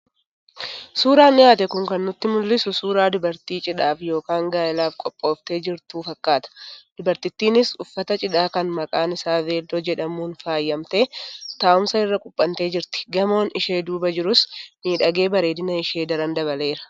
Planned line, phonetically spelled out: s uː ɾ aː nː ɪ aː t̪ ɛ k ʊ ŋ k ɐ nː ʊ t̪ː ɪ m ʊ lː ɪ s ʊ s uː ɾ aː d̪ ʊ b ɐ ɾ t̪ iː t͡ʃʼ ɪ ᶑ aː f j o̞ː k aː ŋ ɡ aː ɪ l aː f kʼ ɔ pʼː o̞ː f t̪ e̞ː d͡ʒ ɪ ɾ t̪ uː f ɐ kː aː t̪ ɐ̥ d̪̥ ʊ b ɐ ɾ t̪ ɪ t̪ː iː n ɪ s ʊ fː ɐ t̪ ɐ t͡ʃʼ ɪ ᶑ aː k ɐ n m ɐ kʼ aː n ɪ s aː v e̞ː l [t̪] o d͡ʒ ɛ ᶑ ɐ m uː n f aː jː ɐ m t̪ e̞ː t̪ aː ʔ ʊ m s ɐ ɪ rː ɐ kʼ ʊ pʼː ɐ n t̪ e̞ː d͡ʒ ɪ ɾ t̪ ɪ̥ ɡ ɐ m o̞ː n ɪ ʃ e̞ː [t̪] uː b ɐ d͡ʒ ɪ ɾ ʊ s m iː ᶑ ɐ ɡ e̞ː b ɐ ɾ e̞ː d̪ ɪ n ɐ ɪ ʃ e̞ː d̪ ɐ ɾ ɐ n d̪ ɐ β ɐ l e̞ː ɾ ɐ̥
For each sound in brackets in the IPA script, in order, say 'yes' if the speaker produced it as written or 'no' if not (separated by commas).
no, no